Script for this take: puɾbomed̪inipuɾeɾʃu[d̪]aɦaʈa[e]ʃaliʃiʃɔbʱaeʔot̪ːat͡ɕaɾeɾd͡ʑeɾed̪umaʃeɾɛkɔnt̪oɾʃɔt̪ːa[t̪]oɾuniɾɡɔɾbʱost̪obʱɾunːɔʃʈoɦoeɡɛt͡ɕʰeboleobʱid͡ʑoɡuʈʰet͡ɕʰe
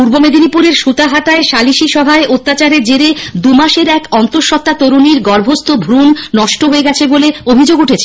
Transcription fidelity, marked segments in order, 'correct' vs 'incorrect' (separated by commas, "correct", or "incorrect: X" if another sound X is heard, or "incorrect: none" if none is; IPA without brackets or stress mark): incorrect: t̪, correct, correct